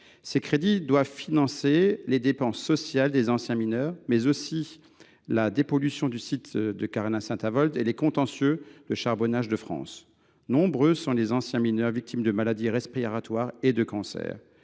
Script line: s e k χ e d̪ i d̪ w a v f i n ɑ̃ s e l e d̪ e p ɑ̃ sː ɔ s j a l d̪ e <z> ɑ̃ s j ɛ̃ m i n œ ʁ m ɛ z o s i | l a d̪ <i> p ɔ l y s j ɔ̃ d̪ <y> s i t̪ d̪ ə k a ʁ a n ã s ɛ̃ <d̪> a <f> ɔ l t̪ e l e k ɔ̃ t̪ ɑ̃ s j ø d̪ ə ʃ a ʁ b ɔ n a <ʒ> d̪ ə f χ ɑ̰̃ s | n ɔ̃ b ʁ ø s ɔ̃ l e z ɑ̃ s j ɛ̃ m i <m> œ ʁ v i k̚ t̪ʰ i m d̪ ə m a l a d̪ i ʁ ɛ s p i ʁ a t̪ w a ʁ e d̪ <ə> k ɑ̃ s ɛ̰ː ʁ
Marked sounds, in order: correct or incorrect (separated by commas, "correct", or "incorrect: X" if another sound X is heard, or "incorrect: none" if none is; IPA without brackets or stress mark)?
correct, incorrect: e, correct, incorrect: t̪, incorrect: v, correct, incorrect: n, correct